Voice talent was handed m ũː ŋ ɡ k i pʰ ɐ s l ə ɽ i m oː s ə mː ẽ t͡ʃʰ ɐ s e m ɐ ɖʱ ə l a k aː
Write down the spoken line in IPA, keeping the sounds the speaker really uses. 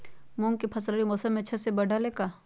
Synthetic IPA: m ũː ŋ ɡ k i pʰ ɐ s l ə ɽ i m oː s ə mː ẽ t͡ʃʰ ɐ s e b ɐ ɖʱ a l e k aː